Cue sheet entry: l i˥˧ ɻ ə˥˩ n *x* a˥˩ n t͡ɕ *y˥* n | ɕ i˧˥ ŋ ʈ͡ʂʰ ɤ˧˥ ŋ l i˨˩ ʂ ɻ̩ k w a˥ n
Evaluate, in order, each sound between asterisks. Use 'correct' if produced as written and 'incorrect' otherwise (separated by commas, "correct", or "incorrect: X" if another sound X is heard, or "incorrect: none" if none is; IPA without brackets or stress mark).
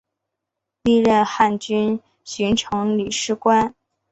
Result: correct, correct